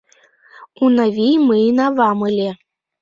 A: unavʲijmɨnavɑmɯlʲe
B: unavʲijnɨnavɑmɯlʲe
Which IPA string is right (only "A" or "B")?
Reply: A